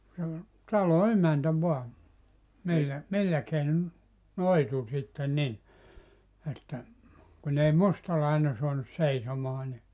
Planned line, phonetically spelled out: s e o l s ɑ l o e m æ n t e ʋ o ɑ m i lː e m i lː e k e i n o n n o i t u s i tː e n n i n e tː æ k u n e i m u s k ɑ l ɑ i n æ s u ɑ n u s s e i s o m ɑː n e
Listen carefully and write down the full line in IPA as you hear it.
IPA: s e o l t ɑ l o e m æ n t æ ʋ o ɑ m i lː æ m i lː æ k e i n o n n o i t u s i tː e n n i n e tː æ k u n e i m u s t ɑ l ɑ i n e s u ɑ n u s s e i s o m ɑː n i